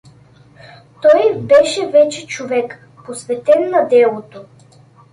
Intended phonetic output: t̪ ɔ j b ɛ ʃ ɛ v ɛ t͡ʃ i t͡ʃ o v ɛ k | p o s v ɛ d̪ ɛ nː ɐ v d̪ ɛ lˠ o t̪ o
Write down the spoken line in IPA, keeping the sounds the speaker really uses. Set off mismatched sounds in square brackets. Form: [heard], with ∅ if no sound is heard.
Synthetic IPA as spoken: t̪ ɔ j b ɛ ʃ ɛ v ɛ t͡ʃ [ɛ] t͡ʃ o v ɛ k | p o s v ɛ [t̪] ɛ nː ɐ [∅] d̪ ɛ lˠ o t̪ o